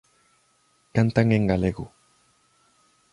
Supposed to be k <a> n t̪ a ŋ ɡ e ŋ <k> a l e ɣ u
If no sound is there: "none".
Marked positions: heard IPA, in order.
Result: a, ɡ

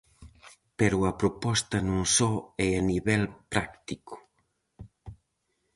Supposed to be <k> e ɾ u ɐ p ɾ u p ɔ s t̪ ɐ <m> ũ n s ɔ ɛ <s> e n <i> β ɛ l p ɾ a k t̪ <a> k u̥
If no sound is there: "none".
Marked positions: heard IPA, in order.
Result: p, n, none, i, i

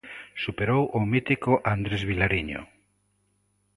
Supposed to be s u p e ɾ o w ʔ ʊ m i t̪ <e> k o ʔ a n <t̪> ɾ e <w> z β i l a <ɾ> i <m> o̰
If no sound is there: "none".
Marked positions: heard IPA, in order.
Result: i, d̪, none, ɾ, ɲ

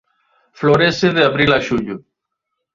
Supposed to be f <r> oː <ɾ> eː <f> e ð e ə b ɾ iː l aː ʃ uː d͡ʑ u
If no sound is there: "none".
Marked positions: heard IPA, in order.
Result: l, ɾ, s

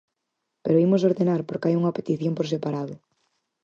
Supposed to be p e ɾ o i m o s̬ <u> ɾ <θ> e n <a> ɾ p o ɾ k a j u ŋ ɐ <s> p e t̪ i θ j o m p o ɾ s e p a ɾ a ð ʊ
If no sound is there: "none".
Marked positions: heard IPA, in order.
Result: o, ð, a, none

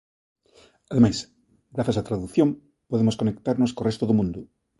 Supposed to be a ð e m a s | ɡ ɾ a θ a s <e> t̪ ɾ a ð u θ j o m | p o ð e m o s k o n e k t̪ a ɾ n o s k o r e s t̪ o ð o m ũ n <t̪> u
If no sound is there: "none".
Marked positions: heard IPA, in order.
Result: a, d̪

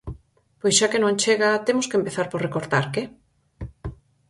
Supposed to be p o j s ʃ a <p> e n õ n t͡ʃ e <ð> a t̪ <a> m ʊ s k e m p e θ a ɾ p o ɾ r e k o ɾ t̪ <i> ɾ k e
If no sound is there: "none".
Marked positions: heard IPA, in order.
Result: k, ɣ, e, a

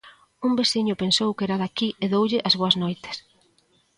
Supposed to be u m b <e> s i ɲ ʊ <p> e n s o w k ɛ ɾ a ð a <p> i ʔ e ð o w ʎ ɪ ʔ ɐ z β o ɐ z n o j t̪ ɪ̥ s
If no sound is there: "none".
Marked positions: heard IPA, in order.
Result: e, p, k

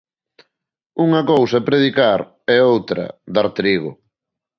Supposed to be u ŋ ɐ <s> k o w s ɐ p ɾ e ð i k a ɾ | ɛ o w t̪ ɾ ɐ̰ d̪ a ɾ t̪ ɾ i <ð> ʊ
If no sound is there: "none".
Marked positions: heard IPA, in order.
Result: none, ɣ

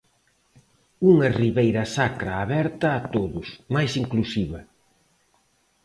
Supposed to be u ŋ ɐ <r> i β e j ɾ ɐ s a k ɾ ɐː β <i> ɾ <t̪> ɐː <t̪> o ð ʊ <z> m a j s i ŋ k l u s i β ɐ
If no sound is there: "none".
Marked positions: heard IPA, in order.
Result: r, ɛ, t̪, t̪, s

